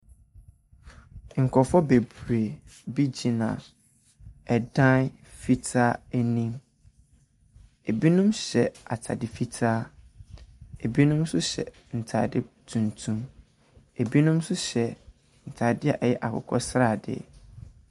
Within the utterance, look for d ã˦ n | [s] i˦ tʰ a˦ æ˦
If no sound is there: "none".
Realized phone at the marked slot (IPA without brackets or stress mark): f